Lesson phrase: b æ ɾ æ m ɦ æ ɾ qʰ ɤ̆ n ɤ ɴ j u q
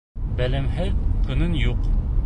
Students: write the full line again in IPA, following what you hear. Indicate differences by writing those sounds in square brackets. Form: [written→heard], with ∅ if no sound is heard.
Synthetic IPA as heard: b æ [ɾ→l] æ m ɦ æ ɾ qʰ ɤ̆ n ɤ [ɴ→n] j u q

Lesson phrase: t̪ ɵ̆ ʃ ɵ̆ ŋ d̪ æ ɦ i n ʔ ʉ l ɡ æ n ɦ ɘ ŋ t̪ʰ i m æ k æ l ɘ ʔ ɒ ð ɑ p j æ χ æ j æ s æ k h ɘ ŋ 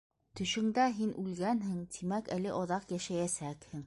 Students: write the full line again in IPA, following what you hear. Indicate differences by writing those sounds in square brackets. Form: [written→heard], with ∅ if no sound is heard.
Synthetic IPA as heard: t̪ ɵ̆ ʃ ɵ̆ ŋ d̪ æ ɦ i n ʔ ʉ l ɡ æ n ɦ ɘ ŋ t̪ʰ i m æ k æ l ɘ ʔ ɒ ð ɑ [p→q] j æ [χ→ʃ] æ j æ s æ k h ɘ ŋ

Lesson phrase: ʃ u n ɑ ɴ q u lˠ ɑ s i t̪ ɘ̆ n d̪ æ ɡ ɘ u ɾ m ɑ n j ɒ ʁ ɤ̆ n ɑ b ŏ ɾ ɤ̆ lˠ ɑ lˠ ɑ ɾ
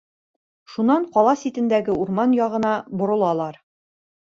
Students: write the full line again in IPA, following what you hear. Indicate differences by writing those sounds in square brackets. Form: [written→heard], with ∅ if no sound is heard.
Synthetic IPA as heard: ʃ u n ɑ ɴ q [u→ɒ] lˠ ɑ s i t̪ ɘ̆ n d̪ æ ɡ ɘ u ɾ m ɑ n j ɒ ʁ ɤ̆ n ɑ b ŏ ɾ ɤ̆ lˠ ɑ lˠ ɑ ɾ

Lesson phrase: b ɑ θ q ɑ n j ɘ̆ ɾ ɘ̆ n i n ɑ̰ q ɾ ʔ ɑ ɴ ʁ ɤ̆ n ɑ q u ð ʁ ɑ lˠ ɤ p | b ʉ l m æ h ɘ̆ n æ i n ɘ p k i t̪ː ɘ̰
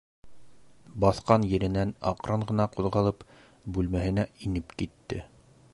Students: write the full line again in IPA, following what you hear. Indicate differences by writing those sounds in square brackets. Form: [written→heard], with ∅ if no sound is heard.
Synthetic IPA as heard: b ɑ θ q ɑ n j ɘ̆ ɾ ɘ̆ n [i→æ] n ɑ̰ q ɾ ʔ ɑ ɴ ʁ ɤ̆ n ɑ q u ð ʁ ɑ lˠ ɤ p | b ʉ l m æ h ɘ̆ n æ i n ɘ p k i t̪ː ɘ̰

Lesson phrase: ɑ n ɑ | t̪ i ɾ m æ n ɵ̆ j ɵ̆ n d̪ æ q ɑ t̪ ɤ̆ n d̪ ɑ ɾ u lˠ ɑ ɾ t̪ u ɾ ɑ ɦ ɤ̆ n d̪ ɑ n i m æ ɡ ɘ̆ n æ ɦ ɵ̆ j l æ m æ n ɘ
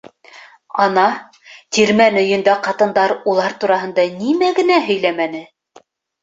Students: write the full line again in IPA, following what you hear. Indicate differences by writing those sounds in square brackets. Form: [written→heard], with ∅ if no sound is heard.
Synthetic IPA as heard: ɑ n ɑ | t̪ i ɾ m æ n ɵ̆ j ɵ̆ n d̪ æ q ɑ t̪ ɤ̆ n d̪ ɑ ɾ u lˠ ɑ ɾ t̪ u ɾ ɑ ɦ ɤ̆ n d̪ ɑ n i m æ ɡ ɘ̆ n æ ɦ ɵ̆ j l æ m æ n ɘ

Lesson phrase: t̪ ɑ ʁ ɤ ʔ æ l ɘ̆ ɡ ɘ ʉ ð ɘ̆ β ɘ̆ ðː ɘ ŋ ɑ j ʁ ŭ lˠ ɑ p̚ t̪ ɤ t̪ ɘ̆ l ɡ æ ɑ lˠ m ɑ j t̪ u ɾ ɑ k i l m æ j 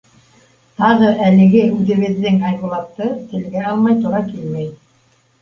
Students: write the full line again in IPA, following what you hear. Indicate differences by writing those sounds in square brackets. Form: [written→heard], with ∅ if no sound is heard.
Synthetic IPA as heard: t̪ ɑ ʁ ɤ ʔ æ l ɘ̆ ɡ ɘ ʉ ð ɘ̆ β ɘ̆ ðː ɘ ŋ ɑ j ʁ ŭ lˠ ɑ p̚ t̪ ɤ t̪ ɘ̆ l ɡ æ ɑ lˠ m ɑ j t̪ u ɾ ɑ k i l m æ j

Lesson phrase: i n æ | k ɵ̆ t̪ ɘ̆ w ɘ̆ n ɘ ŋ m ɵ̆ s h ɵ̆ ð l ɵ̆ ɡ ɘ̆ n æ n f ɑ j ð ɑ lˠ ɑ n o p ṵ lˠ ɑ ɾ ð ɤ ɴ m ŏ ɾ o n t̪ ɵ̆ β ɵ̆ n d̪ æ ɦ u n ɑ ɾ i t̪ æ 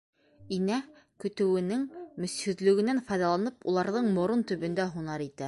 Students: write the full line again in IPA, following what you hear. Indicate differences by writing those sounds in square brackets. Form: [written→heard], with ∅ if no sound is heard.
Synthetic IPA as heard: i n æ | k ɵ̆ t̪ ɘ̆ w ɘ̆ n ɘ ŋ m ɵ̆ s h ɵ̆ ð l ɵ̆ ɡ ɘ̆ n æ n f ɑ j ð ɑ lˠ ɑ n [o→ɤ] p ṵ lˠ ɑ ɾ ð ɤ ɴ m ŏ ɾ o n t̪ ɵ̆ β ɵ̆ n d̪ æ ɦ u n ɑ ɾ i t̪ æ

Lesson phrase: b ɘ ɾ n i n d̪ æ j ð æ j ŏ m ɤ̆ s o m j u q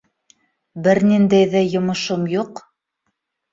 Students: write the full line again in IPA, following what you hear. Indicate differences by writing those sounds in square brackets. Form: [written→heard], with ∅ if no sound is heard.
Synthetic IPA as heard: b ɘ ɾ n i n d̪ æ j ð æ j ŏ m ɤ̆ [s→ʃ] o m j u q

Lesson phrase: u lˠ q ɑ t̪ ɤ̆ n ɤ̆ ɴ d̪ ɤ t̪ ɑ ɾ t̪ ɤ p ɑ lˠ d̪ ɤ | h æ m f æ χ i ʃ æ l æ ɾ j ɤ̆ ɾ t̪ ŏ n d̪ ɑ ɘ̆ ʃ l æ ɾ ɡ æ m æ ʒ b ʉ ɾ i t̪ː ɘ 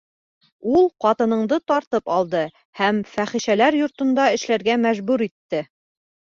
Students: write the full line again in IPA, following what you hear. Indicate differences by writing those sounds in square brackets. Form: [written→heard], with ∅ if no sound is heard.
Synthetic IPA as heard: u lˠ q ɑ t̪ ɤ̆ n ɤ̆ ɴ d̪ ɤ t̪ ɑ ɾ t̪ ɤ p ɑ lˠ d̪ ɤ | h æ m f æ χ i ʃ æ l æ ɾ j [ɤ̆→ŏ] ɾ t̪ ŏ n d̪ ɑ ɘ̆ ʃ l æ ɾ ɡ æ m æ ʒ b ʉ ɾ i t̪ː ɘ

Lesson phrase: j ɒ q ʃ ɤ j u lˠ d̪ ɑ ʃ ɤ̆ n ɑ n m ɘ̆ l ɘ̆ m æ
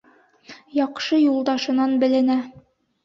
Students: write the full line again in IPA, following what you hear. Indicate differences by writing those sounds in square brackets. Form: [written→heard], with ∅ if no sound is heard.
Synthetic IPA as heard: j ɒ q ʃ ɤ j u lˠ d̪ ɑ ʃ ɤ̆ n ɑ n [m→b] ɘ̆ l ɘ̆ [m→n] æ

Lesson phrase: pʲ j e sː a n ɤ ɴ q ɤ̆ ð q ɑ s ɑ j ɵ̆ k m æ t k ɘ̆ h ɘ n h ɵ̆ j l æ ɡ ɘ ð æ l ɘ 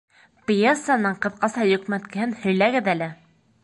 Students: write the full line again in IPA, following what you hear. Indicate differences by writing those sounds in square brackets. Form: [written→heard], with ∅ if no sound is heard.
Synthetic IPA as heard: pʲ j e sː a n ɤ ɴ q ɤ̆ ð q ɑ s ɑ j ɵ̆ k m æ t k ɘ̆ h ɘ n h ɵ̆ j l æ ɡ ɘ ð æ l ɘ

